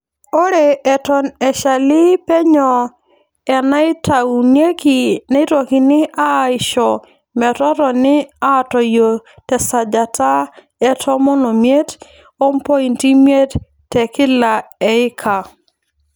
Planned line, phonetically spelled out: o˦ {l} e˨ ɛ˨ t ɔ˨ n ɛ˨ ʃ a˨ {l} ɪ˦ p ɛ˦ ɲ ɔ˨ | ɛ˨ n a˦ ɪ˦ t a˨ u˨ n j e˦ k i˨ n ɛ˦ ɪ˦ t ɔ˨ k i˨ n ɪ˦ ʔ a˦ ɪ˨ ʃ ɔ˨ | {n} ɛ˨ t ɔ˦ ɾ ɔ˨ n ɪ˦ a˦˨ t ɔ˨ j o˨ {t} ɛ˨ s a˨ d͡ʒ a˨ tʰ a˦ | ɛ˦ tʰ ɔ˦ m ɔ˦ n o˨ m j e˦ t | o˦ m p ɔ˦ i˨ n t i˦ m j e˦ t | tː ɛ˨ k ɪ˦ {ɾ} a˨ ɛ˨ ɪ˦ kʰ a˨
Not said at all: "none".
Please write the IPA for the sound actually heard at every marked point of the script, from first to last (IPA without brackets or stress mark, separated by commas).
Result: ɾ, l, m, t, l